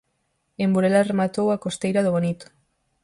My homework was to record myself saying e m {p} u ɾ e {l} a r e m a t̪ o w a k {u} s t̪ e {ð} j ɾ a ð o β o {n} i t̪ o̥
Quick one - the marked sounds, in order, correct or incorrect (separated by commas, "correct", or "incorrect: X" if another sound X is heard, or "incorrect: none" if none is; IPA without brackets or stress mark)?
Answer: incorrect: b, correct, incorrect: o, incorrect: none, correct